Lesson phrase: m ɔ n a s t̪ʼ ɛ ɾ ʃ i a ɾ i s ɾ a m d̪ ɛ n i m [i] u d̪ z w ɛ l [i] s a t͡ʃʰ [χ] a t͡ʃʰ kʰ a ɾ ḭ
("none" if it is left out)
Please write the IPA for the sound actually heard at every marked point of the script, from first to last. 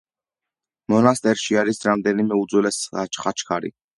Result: ɛ, ɛ, χ

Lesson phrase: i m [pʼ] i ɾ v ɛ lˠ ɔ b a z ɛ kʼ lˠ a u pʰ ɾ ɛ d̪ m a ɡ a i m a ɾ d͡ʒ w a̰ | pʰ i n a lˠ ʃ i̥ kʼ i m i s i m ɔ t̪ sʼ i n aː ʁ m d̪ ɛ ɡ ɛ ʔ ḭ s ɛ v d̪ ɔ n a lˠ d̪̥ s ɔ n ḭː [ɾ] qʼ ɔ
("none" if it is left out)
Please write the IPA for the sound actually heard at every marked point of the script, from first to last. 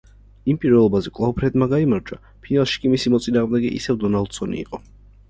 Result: pʼ, none

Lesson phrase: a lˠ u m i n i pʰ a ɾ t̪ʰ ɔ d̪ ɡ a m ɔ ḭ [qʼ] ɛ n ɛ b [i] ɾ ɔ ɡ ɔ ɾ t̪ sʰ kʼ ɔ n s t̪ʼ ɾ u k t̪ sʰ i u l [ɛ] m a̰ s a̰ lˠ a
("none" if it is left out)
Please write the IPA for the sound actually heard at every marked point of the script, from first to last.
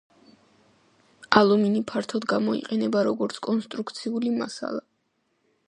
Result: qʼ, a, i

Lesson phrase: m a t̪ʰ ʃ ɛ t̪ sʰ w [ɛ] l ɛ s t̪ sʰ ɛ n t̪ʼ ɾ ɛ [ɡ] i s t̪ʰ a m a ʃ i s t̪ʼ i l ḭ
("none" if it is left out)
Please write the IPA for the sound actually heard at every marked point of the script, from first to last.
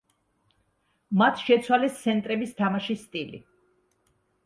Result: a, b

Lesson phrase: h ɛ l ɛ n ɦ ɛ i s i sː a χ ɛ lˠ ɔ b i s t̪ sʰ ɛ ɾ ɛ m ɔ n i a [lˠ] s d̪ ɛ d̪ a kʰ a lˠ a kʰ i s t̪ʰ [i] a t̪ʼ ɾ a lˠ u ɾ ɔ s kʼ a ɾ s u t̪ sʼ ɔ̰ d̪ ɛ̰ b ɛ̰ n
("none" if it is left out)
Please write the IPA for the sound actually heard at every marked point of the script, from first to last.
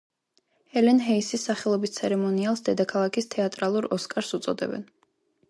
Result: lˠ, ɛ

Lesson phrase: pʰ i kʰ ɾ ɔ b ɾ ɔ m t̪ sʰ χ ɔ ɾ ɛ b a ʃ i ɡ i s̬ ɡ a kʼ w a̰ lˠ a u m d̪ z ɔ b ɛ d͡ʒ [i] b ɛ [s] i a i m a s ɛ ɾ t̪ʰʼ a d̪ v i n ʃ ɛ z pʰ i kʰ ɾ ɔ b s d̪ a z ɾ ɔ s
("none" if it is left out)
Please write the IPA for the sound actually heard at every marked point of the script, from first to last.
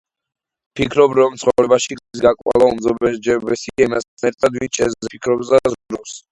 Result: ɛ, s

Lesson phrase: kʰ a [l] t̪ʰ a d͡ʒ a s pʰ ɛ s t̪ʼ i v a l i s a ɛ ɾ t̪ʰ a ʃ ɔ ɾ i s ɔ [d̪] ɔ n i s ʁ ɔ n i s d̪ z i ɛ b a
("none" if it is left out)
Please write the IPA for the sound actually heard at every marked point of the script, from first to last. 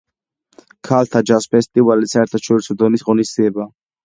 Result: l, d̪

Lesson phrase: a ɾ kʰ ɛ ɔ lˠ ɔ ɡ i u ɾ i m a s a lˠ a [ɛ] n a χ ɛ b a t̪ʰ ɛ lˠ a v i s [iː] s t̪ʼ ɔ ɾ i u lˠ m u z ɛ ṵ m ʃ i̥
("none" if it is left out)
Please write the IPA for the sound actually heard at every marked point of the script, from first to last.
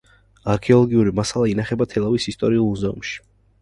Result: i, i

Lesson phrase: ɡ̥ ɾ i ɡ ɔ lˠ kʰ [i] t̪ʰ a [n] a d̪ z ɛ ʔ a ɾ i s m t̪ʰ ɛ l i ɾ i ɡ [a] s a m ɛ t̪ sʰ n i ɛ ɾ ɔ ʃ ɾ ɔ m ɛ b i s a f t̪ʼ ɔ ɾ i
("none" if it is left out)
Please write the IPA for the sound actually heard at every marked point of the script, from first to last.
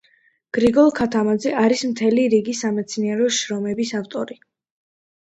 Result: a, m, i

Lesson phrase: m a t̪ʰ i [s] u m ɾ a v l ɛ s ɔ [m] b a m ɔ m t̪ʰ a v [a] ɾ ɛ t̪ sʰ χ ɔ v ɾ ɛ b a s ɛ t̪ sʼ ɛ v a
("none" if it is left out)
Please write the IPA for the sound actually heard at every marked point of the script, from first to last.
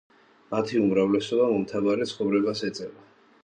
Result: none, none, a

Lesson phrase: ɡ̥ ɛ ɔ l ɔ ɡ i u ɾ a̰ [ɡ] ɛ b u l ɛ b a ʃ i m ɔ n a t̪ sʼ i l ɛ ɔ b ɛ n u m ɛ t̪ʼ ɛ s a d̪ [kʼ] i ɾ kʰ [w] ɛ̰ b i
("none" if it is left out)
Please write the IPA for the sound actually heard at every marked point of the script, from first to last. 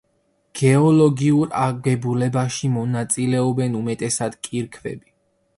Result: ɡ, kʼ, v

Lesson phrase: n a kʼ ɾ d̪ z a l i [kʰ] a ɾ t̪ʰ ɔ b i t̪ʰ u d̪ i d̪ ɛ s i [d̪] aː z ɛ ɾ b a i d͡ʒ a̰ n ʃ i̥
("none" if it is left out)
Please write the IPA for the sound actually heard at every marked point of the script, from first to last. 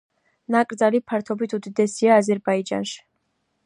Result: pʰ, none

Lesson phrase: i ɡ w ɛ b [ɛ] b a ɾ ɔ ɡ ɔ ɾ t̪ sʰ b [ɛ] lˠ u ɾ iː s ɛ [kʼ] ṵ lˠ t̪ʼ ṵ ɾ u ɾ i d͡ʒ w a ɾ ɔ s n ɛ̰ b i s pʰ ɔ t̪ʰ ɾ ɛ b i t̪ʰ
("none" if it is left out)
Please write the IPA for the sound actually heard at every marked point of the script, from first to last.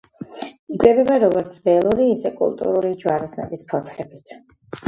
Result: ɛ, ɛ, kʼ

